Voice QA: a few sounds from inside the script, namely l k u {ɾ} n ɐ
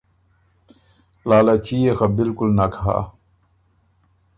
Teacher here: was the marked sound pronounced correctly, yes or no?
no